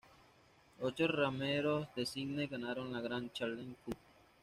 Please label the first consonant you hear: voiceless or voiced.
voiceless